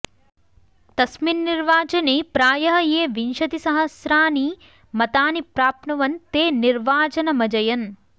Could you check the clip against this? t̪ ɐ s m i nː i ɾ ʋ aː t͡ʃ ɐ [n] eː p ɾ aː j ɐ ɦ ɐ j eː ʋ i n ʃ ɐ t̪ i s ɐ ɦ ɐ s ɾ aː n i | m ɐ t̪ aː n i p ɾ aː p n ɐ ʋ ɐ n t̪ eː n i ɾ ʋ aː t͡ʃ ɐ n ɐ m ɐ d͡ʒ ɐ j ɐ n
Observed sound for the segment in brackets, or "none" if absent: n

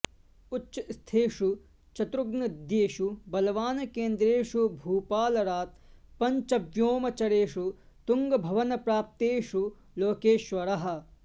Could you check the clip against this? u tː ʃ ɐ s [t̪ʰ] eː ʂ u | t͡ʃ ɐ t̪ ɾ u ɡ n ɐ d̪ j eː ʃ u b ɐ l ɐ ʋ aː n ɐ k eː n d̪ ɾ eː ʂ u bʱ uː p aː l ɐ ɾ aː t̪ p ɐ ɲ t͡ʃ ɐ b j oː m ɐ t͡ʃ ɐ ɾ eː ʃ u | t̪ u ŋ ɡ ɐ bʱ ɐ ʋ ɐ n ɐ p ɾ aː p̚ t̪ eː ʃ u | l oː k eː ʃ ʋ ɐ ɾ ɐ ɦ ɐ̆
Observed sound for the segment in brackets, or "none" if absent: t̪ʰ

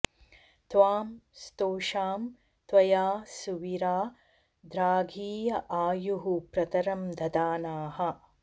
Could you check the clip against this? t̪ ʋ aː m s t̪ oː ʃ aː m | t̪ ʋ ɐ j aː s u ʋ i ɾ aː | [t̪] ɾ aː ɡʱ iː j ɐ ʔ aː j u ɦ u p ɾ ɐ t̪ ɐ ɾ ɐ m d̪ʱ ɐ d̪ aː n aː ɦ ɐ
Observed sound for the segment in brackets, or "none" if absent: d̪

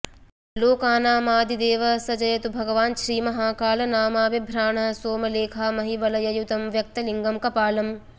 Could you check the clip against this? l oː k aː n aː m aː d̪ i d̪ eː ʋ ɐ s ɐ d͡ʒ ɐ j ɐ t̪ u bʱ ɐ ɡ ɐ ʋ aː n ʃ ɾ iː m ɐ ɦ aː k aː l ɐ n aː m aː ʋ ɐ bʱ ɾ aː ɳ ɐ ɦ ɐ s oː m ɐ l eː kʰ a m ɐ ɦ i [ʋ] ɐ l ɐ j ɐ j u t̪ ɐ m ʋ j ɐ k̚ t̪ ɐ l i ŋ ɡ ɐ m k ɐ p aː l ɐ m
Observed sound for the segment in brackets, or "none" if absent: ʋ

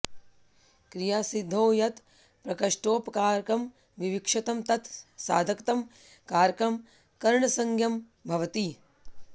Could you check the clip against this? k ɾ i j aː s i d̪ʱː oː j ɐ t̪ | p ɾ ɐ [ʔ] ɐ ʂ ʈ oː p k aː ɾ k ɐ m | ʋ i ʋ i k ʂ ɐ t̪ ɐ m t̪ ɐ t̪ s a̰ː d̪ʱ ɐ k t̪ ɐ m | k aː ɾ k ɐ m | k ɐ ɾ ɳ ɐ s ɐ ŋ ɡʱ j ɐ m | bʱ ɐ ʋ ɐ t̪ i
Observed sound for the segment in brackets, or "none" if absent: k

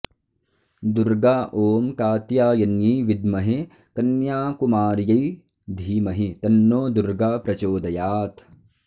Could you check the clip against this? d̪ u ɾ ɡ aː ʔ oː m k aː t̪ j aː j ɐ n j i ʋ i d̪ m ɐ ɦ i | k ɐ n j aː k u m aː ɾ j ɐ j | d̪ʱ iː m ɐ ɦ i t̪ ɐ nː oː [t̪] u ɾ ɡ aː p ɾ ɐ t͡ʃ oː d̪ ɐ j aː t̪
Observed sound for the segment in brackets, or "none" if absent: d̪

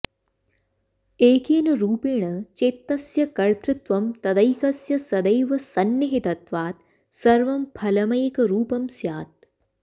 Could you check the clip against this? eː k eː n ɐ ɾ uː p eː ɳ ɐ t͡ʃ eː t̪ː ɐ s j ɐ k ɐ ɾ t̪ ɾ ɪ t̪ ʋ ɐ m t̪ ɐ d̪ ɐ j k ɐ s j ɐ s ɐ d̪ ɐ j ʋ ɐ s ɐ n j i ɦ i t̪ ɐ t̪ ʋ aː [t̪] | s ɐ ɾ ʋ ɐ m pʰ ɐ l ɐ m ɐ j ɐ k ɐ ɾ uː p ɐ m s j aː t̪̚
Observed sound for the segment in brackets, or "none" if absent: t̪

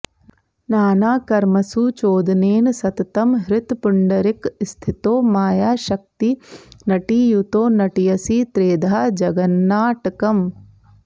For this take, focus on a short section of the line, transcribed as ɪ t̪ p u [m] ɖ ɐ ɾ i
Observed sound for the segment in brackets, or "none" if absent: ɳ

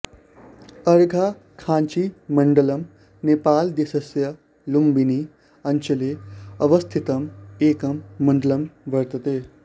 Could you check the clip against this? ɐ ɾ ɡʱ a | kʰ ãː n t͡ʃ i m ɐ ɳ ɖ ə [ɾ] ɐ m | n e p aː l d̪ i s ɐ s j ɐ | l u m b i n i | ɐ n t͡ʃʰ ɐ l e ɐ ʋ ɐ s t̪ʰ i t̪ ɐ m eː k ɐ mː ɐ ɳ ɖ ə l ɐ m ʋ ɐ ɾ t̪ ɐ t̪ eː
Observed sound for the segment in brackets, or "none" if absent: l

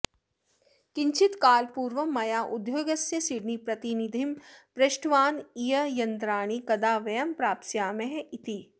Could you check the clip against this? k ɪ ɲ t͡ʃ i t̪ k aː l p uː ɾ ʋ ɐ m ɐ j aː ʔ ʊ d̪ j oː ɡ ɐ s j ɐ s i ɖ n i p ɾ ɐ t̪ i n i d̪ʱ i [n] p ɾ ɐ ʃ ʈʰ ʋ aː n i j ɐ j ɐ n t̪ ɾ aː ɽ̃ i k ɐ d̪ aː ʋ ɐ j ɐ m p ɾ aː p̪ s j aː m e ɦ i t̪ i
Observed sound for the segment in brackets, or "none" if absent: m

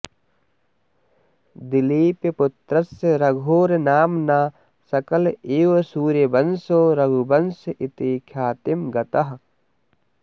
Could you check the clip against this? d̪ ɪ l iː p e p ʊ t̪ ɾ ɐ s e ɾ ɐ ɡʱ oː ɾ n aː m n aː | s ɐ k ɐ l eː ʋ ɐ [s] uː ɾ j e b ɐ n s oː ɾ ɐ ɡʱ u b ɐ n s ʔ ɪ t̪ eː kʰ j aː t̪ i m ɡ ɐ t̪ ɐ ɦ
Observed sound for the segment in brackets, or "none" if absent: s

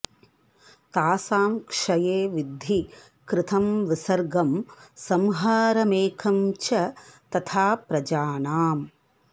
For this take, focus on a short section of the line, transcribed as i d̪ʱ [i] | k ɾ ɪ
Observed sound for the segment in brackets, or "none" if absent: i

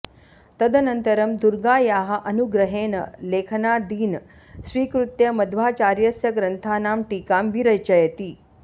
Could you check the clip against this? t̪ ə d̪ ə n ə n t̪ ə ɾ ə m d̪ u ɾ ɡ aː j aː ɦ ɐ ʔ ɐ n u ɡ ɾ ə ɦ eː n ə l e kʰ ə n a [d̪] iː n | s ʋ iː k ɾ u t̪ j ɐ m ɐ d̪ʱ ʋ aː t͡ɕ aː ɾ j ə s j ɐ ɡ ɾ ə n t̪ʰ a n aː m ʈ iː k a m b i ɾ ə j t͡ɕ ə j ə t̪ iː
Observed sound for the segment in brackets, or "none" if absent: d̪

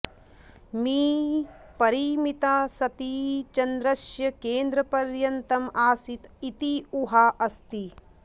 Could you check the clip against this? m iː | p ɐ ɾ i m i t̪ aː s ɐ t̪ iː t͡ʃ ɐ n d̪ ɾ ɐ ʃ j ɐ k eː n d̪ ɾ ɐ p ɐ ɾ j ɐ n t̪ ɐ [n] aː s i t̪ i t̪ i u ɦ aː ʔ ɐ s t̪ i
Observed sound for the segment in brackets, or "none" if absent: m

